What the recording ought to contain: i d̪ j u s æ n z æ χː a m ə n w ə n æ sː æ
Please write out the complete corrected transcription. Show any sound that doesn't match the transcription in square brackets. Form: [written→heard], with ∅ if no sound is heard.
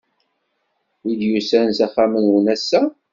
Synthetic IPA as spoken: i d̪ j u s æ n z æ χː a m ə n w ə n æ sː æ

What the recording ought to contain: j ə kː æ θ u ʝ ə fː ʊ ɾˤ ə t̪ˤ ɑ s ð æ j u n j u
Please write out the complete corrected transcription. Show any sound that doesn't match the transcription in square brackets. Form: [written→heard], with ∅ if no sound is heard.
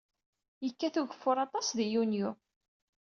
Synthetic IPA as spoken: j ə kː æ θ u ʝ ə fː ʊ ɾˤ [ə→ɑ] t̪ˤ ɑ s ð [æ→i] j u n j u

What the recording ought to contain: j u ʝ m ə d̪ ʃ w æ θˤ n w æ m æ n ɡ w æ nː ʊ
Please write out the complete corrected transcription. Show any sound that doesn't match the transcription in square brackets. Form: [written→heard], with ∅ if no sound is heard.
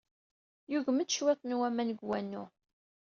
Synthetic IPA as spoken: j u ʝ m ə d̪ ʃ w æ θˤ n w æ m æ n ɡ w æ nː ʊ

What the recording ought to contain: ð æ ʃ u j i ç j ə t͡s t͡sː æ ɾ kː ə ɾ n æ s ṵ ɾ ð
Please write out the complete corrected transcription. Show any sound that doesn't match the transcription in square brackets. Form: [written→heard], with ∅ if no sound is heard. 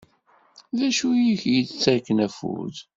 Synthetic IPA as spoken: ð æ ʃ u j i ç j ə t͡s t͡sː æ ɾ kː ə [ɾ→∅] n æ [s→f] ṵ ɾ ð

